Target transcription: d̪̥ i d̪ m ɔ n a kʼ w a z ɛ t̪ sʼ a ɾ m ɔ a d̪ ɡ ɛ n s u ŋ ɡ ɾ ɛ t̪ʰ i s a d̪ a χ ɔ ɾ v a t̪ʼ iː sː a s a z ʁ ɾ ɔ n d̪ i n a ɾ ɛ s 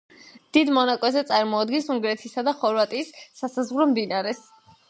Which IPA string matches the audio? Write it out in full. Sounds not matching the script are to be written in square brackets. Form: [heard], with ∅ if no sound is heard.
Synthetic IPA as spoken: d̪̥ i d̪ m ɔ n a kʼ w [ɛ] z ɛ t̪ sʼ a ɾ m ɔ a d̪ ɡ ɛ n s u ŋ ɡ ɾ ɛ t̪ʰ i s a d̪ a χ ɔ ɾ v a t̪ʼ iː sː a s a z ʁ ɾ ɔ [m] d̪ i n a ɾ ɛ s

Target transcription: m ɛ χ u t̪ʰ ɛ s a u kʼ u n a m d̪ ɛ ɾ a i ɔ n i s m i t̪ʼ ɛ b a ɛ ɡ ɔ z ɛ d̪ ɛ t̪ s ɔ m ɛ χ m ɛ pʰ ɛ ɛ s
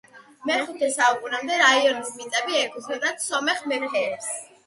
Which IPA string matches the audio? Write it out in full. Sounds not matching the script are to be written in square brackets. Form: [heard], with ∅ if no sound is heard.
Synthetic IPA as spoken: m ɛ χ u t̪ʰ ɛ s a u kʼ u n a m d̪ ɛ ɾ a i ɔ n i s m i t̪ʼ ɛ b [i] ɛ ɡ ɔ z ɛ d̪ [a] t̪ s ɔ m ɛ χ m ɛ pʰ ɛ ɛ s

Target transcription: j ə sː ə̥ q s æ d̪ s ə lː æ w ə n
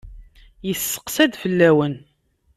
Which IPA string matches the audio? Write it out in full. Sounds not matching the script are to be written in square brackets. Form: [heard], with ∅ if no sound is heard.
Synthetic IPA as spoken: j ə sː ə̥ q s æ d̪ [f] ə lː æ w ə n

